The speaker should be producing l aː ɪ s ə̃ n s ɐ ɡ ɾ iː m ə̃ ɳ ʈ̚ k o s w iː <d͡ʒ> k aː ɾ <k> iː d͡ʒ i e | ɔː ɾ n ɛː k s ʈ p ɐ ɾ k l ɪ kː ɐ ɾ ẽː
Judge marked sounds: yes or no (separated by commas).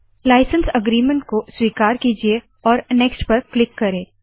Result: no, yes